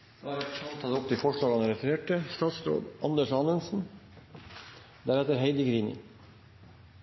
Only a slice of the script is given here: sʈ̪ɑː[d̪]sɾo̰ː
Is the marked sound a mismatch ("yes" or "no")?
yes